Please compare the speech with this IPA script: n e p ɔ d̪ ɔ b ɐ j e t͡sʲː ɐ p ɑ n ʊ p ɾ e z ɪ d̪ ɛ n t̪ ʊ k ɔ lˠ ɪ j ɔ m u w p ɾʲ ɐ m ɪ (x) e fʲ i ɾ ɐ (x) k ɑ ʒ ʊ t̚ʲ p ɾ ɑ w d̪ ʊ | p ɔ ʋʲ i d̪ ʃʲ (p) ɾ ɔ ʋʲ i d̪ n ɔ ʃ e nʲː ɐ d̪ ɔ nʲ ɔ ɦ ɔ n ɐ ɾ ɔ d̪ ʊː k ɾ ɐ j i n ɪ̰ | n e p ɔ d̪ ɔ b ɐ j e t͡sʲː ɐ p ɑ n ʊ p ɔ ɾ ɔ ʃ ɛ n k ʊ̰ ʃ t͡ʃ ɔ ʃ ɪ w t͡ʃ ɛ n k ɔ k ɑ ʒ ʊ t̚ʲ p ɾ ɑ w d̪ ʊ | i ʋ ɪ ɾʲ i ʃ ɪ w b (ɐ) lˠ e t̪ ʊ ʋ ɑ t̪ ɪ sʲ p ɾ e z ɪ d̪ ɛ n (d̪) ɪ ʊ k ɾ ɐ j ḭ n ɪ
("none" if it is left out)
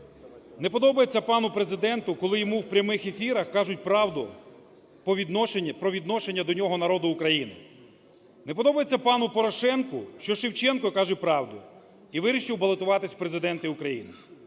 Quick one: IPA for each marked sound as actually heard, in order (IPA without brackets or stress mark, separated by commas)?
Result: x, x, p, ɐ, t̪